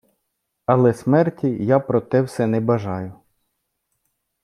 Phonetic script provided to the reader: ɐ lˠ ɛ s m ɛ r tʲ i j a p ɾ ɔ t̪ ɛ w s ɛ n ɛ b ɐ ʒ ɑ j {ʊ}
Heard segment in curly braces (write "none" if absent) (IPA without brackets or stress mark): ʊ